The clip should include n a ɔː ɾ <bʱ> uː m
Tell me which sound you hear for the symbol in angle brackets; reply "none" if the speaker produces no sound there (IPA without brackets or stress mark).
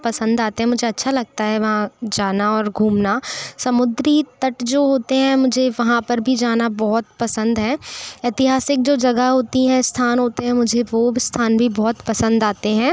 ɡʱ